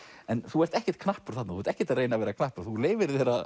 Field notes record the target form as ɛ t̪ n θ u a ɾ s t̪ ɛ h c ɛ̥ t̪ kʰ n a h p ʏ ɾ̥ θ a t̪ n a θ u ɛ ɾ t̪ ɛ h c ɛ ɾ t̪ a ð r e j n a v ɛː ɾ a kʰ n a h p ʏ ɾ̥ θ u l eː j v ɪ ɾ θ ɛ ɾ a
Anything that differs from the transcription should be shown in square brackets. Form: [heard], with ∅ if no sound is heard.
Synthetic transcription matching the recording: ɛ [∅] n θ u [ɛ] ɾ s t̪ ɛ h c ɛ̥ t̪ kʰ n a h p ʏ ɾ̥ θ a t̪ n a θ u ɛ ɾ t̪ ɛ h c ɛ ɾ t̪ a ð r e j n a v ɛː ɾ a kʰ n a h p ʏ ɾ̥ θ u l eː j v ɪ ɾ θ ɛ ɾ a